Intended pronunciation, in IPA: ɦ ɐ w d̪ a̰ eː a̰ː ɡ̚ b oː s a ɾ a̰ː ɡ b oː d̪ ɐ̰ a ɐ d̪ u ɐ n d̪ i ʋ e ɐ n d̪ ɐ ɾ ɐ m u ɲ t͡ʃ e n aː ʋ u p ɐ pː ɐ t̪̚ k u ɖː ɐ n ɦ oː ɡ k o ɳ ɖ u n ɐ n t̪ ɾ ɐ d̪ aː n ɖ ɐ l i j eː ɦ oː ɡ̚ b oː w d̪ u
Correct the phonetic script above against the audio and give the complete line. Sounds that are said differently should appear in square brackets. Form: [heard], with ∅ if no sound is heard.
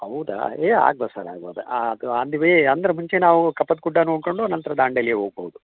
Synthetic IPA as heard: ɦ ɐ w d̪ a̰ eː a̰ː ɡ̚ b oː s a ɾ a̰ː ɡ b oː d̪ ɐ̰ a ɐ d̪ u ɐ n d̪ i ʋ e ɐ n d̪ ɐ ɾ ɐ m u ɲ t͡ʃ e n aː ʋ u [k] ɐ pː ɐ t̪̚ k u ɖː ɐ n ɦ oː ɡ k o ɳ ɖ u n ɐ n t̪ ɾ ɐ d̪ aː [ɳ] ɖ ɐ l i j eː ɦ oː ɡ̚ b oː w d̪ u